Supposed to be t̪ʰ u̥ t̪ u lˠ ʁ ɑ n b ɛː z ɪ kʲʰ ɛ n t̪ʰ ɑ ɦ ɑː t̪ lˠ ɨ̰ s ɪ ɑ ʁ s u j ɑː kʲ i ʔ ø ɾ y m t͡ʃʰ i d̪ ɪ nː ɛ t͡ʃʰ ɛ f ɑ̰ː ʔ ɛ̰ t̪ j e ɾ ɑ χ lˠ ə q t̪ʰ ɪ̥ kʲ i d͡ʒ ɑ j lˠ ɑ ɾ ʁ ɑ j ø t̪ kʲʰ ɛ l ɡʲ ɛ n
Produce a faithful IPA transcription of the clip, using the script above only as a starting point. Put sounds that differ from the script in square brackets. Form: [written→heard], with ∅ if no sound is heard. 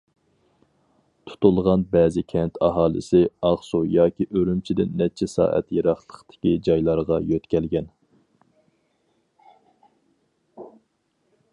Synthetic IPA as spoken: t̪ʰ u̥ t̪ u lˠ ʁ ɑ n b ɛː z ɪ kʲʰ ɛ n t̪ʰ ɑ ɦ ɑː [t̪→∅] lˠ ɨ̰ s ɪ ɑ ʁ s u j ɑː kʲ i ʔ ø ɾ y m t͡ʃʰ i d̪ ɪ nː ɛ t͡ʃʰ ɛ [f→s] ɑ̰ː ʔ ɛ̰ t̪ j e ɾ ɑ χ lˠ ə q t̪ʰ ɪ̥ kʲ i d͡ʒ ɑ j lˠ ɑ ɾ ʁ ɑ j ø t̪ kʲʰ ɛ l ɡʲ ɛ n